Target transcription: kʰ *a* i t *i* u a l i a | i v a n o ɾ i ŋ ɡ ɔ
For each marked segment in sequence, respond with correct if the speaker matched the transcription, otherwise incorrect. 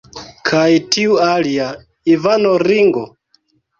correct, correct

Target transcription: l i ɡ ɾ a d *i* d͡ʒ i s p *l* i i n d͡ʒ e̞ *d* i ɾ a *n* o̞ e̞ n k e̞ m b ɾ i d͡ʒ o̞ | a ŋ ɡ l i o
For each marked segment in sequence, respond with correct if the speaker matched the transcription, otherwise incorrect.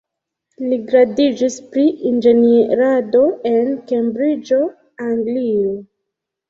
correct, incorrect: ɾ, incorrect: n, incorrect: d

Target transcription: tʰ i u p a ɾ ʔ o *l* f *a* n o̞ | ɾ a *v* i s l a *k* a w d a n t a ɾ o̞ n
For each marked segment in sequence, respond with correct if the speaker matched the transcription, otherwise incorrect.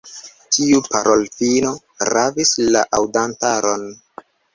correct, incorrect: i, correct, incorrect: ʔ

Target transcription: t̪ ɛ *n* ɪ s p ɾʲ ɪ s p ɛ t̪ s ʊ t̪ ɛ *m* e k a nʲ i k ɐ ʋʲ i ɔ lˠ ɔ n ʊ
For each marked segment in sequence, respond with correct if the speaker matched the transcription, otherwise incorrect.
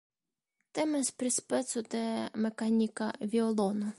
incorrect: m, correct

